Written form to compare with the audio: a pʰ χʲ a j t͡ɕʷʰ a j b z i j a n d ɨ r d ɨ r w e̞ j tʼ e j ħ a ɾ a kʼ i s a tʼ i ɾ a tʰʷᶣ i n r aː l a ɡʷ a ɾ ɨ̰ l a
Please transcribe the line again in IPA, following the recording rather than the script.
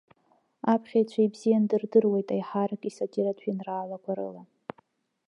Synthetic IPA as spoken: a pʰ χʲ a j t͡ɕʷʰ a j b z i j a n d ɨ r d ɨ r w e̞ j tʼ a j ħ a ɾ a kʼ i s a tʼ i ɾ a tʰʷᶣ i n r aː l a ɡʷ a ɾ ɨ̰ l a